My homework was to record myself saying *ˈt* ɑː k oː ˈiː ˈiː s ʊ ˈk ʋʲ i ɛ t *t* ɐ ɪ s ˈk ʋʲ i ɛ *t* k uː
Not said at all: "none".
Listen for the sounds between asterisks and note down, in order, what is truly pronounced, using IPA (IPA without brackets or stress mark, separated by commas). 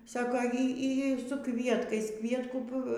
s, k, t